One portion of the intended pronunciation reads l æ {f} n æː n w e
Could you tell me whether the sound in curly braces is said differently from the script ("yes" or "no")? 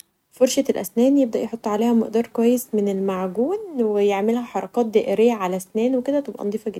yes